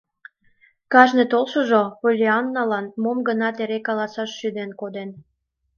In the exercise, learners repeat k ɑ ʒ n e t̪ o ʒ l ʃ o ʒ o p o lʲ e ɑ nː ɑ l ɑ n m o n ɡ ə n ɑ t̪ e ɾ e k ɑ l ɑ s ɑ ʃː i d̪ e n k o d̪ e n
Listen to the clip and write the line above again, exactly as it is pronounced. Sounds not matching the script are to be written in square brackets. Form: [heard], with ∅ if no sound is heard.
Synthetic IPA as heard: k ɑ ʒ n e t̪ o [∅] l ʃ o ʒ o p o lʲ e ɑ nː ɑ l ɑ n m o [m] ɡ ə n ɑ t̪ e ɾ e k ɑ l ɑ s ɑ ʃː [y] d̪ e n k o d̪ e n